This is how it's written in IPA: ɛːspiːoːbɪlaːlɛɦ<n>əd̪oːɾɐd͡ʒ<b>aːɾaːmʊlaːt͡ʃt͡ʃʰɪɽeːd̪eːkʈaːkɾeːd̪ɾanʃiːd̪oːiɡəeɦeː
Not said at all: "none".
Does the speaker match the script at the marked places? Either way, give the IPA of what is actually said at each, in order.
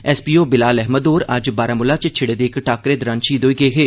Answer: m, b

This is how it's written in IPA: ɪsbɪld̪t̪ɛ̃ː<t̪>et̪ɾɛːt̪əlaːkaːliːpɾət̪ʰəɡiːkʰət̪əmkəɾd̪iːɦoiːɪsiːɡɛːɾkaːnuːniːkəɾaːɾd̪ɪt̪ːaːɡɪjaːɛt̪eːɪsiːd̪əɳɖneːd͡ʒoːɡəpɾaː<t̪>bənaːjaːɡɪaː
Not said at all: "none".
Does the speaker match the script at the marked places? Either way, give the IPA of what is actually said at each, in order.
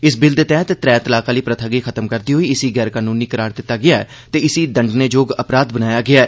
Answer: t̪, d̪

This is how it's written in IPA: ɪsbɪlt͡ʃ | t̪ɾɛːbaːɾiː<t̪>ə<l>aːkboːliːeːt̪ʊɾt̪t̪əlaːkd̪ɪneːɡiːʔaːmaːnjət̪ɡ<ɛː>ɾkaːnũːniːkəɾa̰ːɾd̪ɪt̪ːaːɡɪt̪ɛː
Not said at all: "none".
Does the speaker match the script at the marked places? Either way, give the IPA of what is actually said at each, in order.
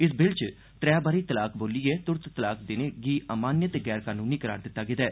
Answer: t̪, l, ɛː

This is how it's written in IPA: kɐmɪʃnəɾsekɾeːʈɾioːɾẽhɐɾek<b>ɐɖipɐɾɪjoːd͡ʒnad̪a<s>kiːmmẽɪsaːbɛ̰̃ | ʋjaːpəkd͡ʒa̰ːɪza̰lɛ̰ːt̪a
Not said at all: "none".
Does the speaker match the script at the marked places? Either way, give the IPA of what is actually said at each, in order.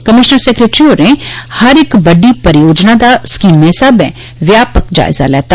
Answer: b, s

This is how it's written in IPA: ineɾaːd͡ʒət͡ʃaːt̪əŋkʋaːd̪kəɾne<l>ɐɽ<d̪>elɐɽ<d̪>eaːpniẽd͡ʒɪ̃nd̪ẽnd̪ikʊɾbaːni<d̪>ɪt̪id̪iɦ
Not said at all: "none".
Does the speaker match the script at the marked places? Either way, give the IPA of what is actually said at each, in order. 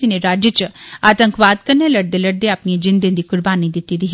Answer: l, d̪, d̪, d̪

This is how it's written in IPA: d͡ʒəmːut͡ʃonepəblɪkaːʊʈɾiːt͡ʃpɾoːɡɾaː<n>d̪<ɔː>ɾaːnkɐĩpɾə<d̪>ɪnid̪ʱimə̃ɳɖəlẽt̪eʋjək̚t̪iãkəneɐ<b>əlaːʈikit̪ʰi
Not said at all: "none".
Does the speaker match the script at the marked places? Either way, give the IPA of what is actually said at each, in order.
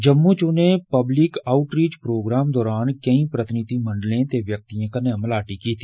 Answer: m, ɔː, t̪, m

